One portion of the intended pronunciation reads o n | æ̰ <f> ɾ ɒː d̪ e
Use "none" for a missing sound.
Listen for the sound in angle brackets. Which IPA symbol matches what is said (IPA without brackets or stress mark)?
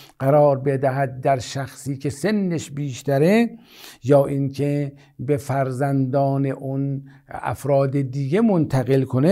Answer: f